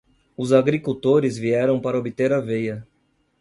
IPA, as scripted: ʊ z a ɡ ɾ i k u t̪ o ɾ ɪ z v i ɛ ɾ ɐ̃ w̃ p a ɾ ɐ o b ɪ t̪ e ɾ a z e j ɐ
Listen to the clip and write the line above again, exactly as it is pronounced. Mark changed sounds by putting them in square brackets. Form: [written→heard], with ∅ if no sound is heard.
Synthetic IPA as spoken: ʊ z a ɡ ɾ i k u t̪ o ɾ ɪ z v i ɛ ɾ ɐ̃ w̃ p a ɾ ɐ o b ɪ t̪ e ɾ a [z→v] e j ɐ